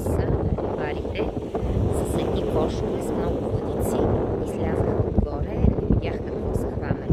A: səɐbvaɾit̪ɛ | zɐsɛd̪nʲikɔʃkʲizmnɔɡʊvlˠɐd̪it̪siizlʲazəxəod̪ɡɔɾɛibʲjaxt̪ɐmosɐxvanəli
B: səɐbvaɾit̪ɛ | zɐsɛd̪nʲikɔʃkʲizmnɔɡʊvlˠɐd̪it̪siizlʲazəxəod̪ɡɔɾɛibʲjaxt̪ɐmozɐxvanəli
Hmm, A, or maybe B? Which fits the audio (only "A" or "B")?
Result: B